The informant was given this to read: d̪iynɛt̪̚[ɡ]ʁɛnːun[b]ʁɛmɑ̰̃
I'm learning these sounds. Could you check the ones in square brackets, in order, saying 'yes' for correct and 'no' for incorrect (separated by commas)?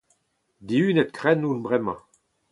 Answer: no, yes